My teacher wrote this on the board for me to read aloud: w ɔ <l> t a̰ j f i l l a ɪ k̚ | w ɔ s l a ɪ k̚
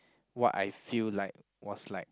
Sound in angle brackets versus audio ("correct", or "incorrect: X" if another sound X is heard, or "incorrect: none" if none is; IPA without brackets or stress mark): incorrect: none